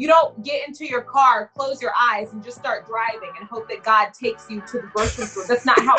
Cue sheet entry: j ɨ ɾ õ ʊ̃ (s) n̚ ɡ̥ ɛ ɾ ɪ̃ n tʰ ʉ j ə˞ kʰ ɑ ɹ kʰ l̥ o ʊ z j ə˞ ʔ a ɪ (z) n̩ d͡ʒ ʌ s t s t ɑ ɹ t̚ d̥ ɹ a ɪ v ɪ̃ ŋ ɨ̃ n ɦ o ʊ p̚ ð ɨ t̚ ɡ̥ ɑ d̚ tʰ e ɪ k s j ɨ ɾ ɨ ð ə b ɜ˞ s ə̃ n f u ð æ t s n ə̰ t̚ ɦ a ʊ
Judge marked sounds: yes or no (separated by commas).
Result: no, yes